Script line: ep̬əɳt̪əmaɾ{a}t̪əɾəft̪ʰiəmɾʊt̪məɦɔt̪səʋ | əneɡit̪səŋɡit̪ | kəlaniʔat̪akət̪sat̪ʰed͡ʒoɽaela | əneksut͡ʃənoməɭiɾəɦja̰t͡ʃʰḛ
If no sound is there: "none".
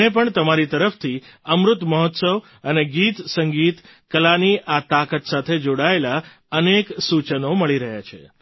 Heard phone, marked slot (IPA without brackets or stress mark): i